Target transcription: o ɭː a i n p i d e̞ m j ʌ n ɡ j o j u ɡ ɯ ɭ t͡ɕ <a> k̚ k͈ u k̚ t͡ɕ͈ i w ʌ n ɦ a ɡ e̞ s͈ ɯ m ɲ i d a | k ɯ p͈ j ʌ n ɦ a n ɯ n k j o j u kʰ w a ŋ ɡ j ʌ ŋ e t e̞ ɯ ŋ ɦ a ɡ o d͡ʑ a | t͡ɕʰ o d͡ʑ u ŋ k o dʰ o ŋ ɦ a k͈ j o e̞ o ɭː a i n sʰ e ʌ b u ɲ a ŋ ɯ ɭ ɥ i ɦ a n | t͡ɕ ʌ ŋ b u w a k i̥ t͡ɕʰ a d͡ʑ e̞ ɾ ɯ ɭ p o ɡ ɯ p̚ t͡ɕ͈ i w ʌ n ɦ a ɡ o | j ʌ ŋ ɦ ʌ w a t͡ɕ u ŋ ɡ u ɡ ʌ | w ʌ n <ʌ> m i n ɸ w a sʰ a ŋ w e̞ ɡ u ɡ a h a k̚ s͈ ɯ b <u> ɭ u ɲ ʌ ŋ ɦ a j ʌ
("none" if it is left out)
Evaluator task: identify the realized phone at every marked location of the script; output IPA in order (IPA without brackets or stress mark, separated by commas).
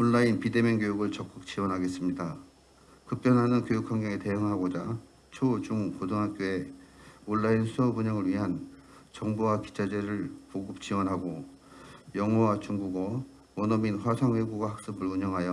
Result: ʌ, ʌ, ɯ